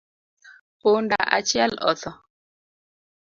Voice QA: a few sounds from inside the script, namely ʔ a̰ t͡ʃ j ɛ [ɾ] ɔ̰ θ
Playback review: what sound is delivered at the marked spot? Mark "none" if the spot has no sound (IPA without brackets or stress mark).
l